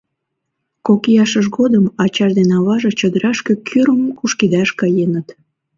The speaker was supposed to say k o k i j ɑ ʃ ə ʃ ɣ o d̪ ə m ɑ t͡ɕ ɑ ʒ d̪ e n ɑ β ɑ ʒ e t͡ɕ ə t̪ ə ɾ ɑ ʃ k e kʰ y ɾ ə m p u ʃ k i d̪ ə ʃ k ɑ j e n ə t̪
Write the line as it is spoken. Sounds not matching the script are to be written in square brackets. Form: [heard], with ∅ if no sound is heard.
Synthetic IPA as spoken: k o k i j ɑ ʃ ə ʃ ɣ o d̪ ə m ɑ t͡ɕ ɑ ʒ d̪ e n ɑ β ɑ ʒ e t͡ɕ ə [d̪] ə ɾ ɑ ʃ k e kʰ y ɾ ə m [k] u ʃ k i d̪ [ɑ] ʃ k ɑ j e n ə t̪